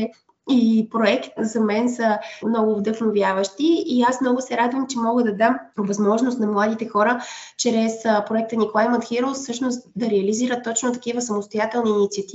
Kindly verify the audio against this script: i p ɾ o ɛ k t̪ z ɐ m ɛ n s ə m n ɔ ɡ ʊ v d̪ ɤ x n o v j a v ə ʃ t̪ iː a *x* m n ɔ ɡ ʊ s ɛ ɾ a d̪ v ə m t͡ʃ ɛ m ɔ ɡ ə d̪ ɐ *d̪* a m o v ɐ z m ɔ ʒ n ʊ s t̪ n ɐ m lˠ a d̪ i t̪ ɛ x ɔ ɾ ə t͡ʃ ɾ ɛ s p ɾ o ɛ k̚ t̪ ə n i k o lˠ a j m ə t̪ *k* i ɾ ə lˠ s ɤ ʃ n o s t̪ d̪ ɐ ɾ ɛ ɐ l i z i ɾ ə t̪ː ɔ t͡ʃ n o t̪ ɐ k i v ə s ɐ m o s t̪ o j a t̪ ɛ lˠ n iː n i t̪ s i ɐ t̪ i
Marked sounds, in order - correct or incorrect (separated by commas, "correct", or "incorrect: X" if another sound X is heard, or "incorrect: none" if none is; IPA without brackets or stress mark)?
incorrect: s, correct, incorrect: x